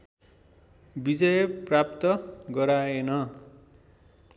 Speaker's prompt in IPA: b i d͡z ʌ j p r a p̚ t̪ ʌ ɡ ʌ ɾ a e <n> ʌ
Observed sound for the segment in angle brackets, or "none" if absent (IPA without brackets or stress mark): n